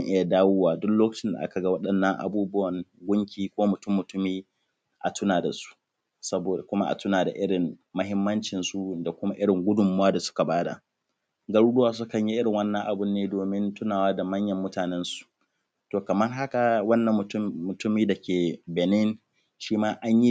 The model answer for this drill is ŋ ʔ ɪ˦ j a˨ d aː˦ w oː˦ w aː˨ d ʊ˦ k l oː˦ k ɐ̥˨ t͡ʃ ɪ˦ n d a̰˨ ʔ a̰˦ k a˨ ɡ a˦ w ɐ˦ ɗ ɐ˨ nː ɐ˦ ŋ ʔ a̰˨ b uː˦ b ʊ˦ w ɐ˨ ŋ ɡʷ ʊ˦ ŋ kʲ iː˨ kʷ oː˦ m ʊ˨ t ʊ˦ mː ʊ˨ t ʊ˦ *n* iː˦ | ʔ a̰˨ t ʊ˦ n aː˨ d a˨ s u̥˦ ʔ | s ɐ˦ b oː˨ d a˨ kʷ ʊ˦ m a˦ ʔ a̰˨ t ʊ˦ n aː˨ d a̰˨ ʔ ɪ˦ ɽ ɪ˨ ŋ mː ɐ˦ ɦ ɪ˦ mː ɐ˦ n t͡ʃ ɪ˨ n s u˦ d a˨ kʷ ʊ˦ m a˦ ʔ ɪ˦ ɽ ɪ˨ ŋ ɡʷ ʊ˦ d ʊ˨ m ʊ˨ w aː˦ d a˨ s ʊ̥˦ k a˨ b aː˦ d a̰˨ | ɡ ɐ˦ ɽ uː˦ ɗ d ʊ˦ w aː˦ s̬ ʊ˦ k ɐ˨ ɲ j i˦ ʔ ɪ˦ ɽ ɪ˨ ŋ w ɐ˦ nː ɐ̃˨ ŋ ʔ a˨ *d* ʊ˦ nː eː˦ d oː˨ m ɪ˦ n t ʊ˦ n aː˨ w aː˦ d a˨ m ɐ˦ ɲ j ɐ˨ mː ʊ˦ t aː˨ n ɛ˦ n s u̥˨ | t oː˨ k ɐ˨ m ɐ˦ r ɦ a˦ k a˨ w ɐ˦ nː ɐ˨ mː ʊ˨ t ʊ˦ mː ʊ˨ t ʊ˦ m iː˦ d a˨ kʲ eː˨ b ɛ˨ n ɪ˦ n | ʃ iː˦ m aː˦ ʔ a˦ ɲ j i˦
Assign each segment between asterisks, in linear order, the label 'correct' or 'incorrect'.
incorrect: m, incorrect: b

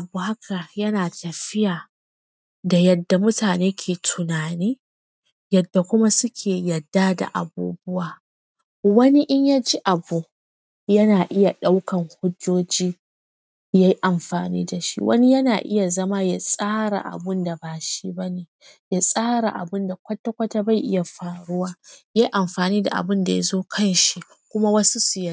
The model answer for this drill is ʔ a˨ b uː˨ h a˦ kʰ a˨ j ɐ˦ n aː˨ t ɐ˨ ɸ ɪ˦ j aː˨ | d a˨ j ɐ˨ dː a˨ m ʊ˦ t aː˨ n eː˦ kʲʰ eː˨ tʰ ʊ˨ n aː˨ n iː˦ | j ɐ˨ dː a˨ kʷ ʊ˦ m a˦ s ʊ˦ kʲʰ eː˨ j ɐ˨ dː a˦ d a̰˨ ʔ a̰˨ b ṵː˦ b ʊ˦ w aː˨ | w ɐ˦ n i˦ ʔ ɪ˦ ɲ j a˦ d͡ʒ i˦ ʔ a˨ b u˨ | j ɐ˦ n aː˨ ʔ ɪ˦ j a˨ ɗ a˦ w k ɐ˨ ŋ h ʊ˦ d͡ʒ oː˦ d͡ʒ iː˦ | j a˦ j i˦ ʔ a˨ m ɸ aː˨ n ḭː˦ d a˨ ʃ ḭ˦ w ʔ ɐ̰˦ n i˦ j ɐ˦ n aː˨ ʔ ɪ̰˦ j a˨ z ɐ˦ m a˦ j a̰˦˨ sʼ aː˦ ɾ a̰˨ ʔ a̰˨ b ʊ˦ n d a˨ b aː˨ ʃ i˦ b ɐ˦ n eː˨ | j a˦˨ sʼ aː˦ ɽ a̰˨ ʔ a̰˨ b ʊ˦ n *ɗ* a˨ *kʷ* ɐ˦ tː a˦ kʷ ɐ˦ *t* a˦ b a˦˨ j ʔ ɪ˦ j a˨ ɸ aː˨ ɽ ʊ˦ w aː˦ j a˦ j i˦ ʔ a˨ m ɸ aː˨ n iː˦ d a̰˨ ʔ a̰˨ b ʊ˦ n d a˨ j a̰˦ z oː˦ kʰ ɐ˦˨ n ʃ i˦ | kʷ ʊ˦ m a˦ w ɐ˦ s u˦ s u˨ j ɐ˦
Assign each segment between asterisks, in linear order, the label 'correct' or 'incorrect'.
incorrect: d, correct, correct

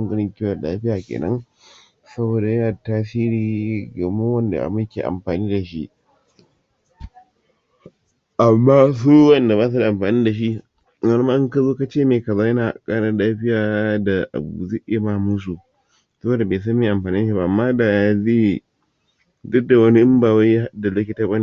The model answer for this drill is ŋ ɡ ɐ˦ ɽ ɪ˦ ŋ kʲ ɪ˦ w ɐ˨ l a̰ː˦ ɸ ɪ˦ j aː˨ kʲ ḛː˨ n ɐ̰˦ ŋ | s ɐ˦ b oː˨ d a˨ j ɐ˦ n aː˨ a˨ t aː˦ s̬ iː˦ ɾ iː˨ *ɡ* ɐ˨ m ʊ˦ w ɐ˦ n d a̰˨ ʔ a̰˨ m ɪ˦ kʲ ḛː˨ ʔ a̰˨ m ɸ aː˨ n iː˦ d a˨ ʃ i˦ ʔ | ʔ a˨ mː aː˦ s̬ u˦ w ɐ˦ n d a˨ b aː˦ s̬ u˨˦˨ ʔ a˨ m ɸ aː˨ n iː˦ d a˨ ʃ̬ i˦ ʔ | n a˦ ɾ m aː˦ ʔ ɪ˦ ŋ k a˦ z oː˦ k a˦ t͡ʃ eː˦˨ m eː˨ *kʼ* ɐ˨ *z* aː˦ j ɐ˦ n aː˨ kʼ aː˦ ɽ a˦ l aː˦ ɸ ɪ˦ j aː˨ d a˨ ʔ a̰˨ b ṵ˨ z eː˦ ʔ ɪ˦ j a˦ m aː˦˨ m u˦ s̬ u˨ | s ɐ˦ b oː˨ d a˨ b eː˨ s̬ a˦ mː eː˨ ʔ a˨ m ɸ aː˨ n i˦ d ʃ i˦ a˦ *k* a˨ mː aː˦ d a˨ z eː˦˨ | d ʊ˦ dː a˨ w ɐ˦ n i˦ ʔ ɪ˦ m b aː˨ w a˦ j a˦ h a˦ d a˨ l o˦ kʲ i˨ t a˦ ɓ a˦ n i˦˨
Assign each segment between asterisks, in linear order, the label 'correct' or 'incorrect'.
correct, incorrect: k, correct, incorrect: ʔ

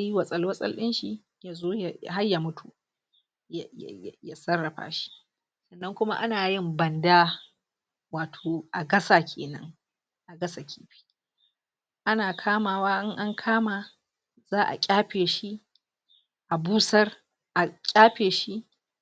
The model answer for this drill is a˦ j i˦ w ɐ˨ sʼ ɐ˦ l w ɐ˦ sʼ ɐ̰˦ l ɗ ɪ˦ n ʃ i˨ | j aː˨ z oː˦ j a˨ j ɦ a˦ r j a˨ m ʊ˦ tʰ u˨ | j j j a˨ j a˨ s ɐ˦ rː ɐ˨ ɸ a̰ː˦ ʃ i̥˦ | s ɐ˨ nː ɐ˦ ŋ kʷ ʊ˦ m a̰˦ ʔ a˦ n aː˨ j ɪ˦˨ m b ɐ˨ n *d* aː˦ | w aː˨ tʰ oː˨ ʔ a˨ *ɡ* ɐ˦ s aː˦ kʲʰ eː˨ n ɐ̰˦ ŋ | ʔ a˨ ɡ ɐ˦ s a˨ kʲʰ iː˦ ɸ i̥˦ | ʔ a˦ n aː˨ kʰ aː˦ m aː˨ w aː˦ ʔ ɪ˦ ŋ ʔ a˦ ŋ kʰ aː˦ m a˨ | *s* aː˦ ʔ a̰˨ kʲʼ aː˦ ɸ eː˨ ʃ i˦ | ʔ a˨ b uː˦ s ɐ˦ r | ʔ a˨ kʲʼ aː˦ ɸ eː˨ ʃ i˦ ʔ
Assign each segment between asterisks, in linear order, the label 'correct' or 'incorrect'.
correct, correct, incorrect: z

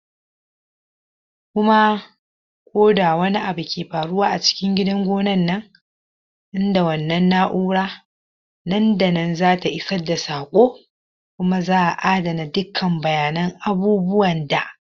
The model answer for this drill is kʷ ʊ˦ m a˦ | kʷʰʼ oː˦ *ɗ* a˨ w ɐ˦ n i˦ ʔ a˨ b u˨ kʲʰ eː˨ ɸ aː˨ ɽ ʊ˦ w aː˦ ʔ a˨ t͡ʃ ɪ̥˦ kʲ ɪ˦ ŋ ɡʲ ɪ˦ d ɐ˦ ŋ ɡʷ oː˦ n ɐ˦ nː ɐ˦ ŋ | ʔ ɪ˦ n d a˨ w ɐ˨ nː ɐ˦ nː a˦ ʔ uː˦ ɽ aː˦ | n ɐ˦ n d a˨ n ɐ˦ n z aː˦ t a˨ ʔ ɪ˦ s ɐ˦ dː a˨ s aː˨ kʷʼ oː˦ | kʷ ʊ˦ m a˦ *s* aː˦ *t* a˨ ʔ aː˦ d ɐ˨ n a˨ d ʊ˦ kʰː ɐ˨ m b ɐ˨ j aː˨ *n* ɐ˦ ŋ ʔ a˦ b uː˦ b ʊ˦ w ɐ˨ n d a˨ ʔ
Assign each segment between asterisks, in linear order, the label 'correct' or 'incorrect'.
incorrect: d, incorrect: z, incorrect: ʔ, correct

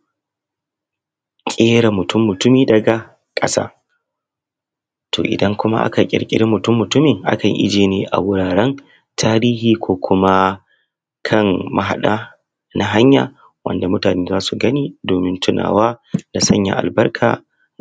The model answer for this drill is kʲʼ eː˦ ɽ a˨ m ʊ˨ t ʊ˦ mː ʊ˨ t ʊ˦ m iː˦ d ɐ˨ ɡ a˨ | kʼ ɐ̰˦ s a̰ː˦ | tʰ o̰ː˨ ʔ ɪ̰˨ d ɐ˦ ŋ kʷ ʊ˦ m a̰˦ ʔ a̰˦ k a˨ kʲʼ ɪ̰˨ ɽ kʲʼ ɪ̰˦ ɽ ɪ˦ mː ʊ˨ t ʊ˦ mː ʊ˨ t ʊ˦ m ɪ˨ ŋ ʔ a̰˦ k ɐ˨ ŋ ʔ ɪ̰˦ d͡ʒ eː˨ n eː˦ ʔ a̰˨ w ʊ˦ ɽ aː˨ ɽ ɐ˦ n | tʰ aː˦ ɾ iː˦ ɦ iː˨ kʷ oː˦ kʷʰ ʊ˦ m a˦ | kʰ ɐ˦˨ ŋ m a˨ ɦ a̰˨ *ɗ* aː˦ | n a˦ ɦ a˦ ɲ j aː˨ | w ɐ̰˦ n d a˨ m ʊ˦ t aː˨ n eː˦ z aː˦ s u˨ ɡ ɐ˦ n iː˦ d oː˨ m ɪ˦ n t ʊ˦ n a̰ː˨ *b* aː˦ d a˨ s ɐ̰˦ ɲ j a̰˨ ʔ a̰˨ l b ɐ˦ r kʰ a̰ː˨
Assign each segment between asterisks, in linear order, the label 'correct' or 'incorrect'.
correct, incorrect: w

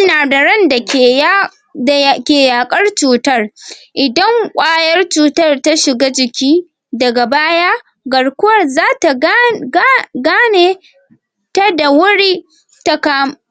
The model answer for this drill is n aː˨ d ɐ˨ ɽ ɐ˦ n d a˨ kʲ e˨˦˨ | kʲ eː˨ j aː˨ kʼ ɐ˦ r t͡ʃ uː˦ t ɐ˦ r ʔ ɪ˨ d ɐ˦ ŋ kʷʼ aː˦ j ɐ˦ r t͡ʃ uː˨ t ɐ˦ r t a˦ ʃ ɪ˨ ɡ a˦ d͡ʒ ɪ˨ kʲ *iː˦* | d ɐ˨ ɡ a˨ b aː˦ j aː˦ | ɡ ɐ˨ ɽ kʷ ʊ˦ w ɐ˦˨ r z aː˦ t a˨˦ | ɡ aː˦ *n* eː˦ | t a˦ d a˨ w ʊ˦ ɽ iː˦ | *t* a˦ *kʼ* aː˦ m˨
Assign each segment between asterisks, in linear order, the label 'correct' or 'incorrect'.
correct, correct, correct, incorrect: k

